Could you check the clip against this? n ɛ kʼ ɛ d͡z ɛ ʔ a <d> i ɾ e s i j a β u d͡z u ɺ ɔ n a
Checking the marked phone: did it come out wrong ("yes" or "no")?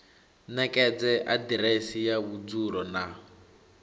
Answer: no